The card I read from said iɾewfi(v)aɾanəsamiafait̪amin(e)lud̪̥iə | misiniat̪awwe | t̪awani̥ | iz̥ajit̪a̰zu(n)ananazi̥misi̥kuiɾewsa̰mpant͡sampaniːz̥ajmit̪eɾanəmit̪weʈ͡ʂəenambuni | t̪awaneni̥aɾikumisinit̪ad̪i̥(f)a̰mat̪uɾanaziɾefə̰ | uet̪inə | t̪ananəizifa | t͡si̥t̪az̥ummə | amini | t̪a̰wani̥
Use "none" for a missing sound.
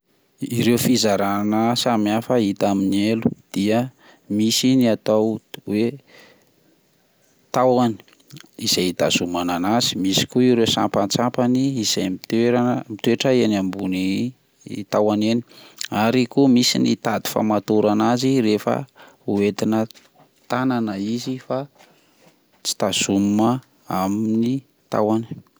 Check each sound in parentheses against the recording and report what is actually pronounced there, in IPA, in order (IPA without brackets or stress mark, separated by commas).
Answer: z, e, m, f